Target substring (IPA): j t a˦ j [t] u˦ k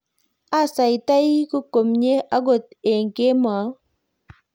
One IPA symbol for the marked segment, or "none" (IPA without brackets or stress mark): k